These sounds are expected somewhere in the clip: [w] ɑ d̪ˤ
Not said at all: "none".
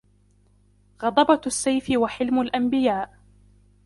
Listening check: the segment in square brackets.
ɣ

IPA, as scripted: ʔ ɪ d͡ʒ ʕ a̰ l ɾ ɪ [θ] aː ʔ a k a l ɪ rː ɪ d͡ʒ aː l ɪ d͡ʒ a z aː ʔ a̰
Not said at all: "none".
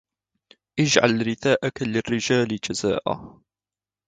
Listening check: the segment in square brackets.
θ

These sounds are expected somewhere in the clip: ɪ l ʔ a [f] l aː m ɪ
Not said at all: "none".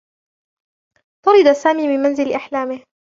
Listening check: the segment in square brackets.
ħ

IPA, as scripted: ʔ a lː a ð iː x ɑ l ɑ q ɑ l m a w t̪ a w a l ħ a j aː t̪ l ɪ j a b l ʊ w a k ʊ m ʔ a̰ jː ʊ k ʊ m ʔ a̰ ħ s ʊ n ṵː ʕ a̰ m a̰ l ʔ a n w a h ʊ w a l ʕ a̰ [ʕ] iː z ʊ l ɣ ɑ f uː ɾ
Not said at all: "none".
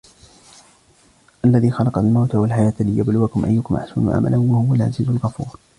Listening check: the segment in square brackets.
z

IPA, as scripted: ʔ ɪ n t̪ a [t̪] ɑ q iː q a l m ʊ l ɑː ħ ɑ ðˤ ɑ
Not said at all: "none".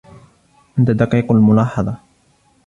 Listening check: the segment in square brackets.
d̪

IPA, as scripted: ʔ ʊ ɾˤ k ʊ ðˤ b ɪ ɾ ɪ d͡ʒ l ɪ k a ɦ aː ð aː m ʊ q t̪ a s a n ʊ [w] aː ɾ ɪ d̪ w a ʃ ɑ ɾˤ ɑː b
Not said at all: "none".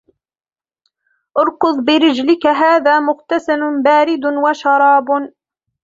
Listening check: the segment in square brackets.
b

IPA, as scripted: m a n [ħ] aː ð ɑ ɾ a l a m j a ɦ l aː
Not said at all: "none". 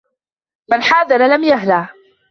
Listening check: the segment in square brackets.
ħ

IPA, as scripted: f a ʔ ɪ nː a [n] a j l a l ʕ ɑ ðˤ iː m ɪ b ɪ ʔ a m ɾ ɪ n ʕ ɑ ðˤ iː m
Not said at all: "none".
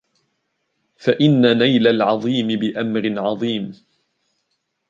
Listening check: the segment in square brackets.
n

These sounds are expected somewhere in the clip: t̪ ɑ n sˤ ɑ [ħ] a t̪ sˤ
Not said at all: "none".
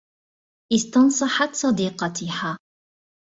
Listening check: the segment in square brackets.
ħ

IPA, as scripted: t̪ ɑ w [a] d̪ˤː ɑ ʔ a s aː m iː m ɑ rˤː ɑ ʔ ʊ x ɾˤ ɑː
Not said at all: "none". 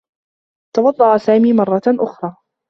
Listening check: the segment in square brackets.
ɑ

